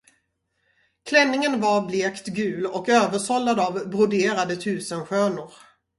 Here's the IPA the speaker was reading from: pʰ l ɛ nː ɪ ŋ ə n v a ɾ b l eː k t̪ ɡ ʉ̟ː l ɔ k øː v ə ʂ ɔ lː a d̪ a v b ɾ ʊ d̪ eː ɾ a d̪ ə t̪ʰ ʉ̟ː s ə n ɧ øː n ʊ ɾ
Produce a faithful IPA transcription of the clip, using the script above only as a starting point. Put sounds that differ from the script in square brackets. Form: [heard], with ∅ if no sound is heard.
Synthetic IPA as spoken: [kʰ] l ɛ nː ɪ ŋ ə n v a ɾ b l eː k t̪ ɡ ʉ̟ː l ɔ k øː v ə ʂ ɔ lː a d̪ a v b ɾ ʊ d̪ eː ɾ a d̪ ə t̪ʰ ʉ̟ː s ə n ɧ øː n ʊ ɾ